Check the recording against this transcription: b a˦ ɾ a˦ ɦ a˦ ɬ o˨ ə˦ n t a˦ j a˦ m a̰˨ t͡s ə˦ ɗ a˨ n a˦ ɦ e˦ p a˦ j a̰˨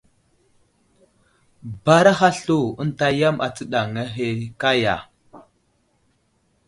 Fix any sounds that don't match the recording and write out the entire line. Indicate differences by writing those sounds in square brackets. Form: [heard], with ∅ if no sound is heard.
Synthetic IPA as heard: b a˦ ɾ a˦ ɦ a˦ ɬ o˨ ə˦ n t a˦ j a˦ m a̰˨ t͡s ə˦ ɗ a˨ [ŋ] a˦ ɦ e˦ [k] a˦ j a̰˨